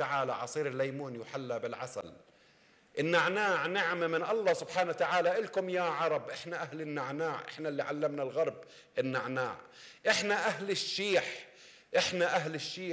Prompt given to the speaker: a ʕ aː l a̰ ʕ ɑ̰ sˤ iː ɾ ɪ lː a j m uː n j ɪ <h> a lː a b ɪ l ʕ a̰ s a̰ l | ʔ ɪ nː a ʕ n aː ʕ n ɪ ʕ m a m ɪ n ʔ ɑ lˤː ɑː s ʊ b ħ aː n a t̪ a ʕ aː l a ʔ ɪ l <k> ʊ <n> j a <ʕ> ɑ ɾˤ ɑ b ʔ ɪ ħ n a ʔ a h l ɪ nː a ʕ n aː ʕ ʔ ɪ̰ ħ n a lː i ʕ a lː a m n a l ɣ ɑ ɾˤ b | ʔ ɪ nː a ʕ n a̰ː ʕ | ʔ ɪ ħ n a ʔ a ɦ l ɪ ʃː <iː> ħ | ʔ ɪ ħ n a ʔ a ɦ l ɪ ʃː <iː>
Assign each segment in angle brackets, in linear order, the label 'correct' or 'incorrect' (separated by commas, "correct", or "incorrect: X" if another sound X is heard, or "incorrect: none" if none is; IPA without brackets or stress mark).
incorrect: ħ, correct, incorrect: m, correct, correct, correct